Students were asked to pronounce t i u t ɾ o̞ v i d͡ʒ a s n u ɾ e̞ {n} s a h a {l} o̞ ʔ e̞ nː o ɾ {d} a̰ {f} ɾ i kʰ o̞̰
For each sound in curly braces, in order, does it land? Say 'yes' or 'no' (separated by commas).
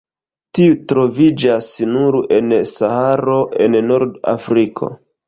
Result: yes, no, yes, yes